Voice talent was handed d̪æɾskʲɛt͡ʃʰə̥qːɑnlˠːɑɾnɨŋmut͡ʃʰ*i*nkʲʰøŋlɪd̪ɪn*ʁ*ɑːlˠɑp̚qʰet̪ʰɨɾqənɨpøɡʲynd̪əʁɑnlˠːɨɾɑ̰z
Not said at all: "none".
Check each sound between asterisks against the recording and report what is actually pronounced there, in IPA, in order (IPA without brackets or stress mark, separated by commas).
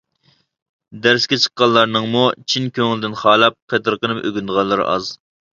i, χ